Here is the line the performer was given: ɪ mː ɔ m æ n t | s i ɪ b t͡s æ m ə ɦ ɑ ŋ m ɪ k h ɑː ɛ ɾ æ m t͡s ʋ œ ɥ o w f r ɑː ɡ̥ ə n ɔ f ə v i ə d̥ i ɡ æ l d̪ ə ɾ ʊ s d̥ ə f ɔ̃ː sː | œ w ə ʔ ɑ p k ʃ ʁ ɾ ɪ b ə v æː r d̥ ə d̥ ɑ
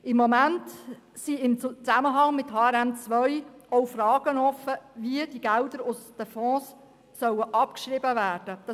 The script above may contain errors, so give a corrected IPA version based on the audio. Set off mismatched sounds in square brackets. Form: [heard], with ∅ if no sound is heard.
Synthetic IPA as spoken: ɪ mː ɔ m æ n t | s i ɪ [m] t͡s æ m ə ɦ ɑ ŋ m ɪ [t] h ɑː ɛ ɾ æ m t͡s ʋ œ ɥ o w f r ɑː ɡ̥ ə n ɔ f ə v i ə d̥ i ɡ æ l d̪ ə ɾ ʊ s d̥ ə f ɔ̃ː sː | œ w ə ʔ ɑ p k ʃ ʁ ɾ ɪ b ə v æː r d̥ ə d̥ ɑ